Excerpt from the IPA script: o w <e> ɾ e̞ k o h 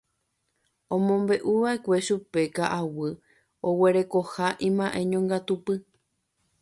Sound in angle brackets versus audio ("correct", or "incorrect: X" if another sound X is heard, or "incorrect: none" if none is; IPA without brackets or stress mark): correct